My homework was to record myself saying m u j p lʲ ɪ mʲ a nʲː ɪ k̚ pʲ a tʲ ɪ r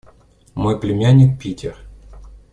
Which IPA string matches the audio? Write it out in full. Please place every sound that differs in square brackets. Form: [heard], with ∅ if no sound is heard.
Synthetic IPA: m [o] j p lʲ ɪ mʲ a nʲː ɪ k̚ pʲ [i] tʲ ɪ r